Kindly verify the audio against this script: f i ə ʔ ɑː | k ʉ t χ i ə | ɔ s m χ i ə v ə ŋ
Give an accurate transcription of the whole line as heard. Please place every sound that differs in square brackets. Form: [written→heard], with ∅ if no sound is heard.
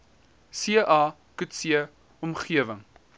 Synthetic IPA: [f→s] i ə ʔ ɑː | k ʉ t [χ→s] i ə | ɔ [s→∅] m χ i ə v ə ŋ